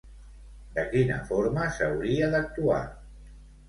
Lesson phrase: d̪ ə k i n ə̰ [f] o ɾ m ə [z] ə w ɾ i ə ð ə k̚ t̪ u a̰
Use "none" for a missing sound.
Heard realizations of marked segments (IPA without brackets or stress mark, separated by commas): f, s